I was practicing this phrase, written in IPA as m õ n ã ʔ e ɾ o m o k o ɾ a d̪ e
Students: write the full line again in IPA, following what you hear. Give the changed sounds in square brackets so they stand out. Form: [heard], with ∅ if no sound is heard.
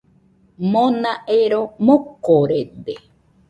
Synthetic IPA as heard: m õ n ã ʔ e ɾ o m o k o ɾ [e] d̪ e